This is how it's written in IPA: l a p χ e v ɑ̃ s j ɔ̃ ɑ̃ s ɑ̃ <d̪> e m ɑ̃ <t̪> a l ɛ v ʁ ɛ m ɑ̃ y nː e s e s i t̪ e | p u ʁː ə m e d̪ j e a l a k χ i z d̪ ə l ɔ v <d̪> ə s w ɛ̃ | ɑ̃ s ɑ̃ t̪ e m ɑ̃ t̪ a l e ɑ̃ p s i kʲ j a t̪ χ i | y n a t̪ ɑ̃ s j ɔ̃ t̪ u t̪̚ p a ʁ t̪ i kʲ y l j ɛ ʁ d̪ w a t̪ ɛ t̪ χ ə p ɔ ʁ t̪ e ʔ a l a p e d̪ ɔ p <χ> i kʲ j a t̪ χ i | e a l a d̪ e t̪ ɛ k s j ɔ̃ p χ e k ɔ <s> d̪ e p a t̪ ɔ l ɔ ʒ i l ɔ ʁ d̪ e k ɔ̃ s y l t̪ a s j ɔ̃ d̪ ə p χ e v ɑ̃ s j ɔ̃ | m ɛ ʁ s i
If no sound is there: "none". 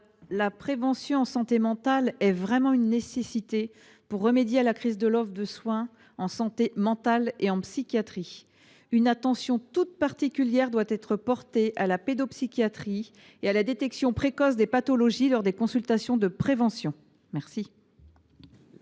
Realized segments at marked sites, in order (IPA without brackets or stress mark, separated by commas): t̪, t̪, d̪, s, s